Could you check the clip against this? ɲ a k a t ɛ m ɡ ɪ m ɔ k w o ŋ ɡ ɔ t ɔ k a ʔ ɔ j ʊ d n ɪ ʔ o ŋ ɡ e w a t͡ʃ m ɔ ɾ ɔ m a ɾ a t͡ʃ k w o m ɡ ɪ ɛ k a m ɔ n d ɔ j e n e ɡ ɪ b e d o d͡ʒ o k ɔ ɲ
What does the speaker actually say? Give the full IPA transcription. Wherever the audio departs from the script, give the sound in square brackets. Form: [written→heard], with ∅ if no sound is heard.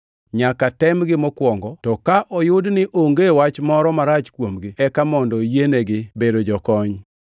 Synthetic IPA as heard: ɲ a k a t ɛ m ɡ ɪ m ɔ k w [o→ɔ] ŋ ɡ ɔ t ɔ k a ʔ ɔ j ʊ d n ɪ ʔ o ŋ ɡ e w a t͡ʃ m ɔ ɾ ɔ m a ɾ a t͡ʃ k w o m ɡ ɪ ɛ k a m ɔ n d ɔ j e n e ɡ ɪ b e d o d͡ʒ [o→ɔ] k ɔ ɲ